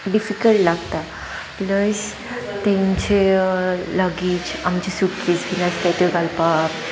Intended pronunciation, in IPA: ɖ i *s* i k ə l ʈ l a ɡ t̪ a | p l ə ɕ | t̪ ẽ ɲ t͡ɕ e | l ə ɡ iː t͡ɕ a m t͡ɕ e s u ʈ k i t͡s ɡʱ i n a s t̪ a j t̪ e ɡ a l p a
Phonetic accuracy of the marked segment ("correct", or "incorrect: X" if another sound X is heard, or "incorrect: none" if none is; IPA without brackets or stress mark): incorrect: f